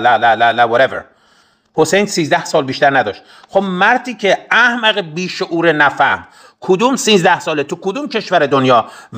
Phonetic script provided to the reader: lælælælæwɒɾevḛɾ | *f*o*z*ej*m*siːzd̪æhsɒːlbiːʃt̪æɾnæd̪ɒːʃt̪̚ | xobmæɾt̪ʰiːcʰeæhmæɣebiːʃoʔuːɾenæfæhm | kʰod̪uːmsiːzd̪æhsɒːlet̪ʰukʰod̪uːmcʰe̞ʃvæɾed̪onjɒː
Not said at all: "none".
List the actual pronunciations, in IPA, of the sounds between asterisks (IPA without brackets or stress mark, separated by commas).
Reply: h, s, n